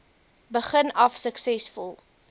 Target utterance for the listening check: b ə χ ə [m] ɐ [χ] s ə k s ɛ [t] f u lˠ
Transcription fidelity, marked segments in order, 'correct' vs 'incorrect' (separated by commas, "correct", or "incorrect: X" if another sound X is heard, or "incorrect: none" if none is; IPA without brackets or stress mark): incorrect: n, incorrect: f, incorrect: s